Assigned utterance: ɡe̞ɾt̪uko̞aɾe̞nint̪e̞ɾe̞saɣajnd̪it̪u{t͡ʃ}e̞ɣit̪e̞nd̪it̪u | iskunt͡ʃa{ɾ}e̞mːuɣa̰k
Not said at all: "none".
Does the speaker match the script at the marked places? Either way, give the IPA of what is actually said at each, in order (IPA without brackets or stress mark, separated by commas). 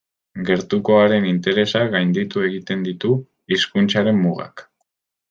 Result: none, ɾ